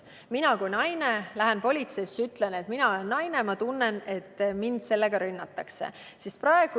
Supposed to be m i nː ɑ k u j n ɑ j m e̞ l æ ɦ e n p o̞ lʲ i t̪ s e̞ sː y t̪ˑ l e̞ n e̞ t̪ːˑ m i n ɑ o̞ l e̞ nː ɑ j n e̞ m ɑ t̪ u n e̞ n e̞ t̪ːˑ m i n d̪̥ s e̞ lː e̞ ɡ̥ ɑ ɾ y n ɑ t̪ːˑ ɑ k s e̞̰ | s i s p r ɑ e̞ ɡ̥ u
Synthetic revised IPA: m i n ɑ k u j n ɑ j n e̞ l æ ɦ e n p o̞ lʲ i t̪ s e̞ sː y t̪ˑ l e̞ n e̞ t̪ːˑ m i n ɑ o̞ l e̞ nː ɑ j n e̞ m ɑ t̪ u nː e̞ n e̞ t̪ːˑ m i n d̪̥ s e̞ lː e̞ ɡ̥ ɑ ɾ y nː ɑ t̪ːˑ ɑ k s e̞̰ | s i s p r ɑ e̞ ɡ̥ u